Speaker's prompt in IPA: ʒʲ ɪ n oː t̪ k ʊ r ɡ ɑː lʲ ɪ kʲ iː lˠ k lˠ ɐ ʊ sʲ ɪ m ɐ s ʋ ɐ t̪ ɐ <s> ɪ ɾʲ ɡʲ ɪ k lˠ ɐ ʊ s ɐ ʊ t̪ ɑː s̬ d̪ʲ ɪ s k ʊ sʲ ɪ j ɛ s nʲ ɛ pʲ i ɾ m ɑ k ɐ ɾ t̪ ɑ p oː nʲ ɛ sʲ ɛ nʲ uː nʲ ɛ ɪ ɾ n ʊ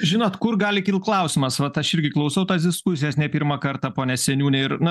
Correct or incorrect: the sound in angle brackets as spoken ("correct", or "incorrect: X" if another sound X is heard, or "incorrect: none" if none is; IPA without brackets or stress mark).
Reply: incorrect: ʃ